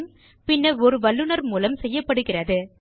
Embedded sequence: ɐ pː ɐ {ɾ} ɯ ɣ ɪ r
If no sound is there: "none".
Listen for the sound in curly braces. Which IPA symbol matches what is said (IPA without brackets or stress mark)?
ɽ